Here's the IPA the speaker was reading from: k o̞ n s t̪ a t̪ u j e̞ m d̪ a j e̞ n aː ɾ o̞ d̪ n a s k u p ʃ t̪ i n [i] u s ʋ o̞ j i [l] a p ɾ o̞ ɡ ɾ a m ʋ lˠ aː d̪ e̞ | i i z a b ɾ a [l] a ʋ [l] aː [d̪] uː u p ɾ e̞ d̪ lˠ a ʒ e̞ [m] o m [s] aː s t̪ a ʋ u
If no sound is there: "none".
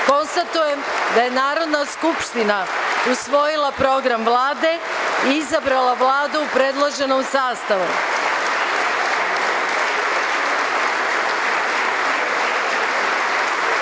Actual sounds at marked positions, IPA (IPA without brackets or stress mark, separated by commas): a, l, l, l, d̪, n, s